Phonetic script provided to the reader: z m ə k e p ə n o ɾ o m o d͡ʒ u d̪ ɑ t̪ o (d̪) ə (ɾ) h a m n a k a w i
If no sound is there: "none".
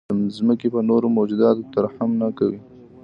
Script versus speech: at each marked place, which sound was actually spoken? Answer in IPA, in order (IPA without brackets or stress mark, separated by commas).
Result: t̪, ɾ